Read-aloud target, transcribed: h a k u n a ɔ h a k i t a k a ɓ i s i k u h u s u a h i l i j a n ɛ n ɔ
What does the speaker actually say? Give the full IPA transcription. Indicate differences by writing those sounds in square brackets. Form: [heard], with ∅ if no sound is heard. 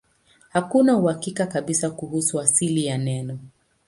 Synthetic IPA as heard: h a k u n a [u] h a k i [k] a k a ɓ i s [a] k u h u s u a [s] i l i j a n ɛ n ɔ